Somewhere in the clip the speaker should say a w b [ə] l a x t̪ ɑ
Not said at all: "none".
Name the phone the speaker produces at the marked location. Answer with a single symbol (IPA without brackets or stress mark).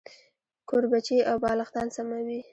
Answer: ɑ